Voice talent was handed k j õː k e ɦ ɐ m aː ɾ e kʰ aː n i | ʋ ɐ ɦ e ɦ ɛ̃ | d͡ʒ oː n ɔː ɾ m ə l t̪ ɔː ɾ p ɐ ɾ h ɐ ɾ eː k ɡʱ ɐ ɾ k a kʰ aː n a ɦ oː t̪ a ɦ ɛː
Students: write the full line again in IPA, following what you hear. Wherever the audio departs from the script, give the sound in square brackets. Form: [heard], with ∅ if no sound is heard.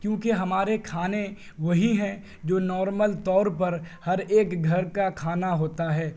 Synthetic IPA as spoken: k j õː k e ɦ ɐ m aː ɾ e kʰ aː n [e] | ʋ ɐ ɦ [i] ɦ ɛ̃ | d͡ʒ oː n ɔː ɾ m ə l t̪ ɔː ɾ p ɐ ɾ h ɐ ɾ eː k ɡʱ ɐ ɾ k a kʰ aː n a ɦ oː t̪ a ɦ ɛː